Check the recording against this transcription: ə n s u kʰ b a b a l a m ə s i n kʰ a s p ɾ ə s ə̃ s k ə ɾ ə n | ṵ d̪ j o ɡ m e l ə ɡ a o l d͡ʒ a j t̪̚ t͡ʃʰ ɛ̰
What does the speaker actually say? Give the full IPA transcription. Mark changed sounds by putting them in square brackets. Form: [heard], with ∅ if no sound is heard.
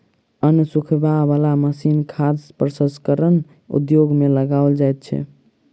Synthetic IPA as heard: ə n s u kʰ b a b a l a m ə s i n kʰ a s p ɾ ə s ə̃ s k ə ɾ ə n | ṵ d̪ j o ɡ m e l ə ɡ a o l d͡ʒ a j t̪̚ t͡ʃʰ ɛ̰